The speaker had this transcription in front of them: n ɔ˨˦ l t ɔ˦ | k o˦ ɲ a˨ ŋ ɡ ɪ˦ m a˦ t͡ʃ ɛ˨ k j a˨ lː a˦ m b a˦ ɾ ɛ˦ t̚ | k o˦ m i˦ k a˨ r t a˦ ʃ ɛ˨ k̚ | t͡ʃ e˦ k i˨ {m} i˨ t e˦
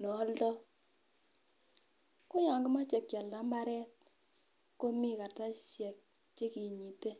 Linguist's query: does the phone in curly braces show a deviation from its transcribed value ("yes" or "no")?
yes